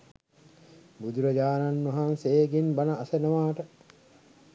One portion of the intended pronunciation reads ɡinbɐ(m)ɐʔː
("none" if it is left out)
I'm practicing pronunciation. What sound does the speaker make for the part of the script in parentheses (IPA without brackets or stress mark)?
n